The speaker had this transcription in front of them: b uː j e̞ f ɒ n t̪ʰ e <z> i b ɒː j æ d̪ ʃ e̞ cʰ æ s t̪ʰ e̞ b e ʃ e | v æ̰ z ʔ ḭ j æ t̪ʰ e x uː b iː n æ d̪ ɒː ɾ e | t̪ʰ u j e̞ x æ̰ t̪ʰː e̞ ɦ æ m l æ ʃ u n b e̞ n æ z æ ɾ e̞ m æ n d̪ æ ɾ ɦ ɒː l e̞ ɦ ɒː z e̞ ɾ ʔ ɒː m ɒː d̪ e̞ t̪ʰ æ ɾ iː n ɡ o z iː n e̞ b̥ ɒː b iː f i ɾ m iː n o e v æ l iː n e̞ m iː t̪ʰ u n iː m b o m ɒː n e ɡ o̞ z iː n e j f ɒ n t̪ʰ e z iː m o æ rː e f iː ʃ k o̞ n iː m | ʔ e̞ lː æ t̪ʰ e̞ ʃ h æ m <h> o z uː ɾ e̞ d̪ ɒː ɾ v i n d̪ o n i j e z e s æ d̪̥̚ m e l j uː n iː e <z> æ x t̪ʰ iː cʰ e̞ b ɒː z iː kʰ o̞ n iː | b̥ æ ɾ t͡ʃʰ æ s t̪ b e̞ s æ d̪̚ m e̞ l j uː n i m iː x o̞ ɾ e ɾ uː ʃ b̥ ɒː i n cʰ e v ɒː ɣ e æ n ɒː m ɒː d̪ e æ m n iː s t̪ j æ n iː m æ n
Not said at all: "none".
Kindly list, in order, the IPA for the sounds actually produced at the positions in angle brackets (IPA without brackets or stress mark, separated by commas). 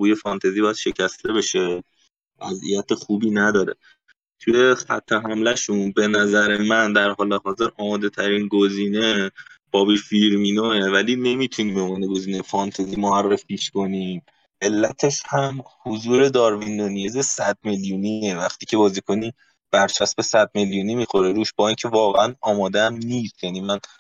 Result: z, h, v